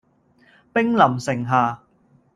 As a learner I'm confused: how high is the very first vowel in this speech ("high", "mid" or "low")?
high